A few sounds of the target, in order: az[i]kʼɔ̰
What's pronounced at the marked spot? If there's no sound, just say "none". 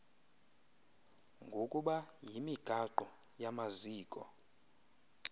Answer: iː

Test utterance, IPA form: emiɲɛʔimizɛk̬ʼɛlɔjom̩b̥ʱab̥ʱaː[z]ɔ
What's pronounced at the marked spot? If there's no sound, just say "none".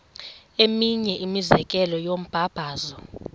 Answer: z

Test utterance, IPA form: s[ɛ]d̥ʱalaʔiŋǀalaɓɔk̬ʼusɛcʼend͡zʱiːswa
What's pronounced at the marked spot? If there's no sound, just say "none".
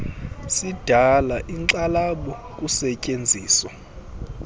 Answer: i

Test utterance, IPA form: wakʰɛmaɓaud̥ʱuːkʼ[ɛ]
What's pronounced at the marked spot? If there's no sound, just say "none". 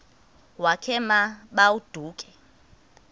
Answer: ɛ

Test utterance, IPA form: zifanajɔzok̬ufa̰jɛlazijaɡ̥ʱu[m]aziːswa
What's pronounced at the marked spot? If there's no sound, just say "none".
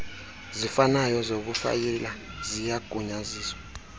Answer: ɲ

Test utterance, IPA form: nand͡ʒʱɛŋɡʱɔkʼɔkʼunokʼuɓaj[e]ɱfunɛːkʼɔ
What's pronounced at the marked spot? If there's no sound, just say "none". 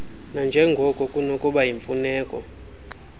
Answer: i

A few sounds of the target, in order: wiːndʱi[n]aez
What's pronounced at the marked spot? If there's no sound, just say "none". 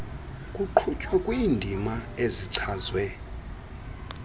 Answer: m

